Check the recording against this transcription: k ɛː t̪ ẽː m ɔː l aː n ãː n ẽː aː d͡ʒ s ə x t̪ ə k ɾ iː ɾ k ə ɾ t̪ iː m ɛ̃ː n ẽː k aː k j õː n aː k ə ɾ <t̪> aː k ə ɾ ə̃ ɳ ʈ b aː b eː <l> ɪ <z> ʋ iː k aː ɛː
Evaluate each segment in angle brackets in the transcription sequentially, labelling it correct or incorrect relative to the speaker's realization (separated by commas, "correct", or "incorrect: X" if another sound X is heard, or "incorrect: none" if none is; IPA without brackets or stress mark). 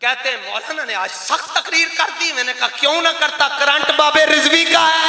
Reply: correct, incorrect: ɾ, correct